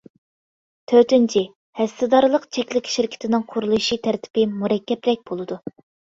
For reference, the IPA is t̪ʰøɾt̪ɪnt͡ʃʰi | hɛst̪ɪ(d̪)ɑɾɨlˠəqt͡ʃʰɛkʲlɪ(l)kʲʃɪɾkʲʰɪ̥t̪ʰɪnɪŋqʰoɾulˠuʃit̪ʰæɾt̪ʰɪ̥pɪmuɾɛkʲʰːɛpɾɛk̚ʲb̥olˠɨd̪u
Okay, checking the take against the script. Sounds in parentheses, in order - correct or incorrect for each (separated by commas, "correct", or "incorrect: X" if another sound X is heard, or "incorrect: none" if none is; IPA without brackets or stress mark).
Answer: correct, incorrect: none